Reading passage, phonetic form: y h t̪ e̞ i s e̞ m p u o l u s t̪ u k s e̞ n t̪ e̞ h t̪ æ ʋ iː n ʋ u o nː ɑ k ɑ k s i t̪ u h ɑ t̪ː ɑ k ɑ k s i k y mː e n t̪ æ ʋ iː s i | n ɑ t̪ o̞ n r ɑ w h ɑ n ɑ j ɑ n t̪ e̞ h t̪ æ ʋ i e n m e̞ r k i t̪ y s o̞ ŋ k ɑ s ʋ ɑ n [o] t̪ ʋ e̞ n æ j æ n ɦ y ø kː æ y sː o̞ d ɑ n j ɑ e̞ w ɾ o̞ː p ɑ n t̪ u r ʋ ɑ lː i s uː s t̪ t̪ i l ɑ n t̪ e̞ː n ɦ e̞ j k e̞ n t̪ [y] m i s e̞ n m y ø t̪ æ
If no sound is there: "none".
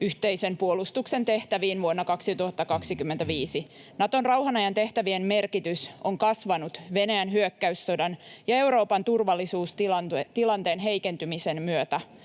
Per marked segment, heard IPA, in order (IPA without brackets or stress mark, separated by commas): u, y